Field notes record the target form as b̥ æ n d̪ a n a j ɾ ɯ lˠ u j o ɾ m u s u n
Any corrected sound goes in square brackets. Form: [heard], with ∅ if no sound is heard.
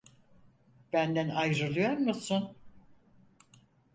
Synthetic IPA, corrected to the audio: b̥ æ n d̪ [æ] n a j ɾ ɯ lˠ [ɯ] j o ɾ m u s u n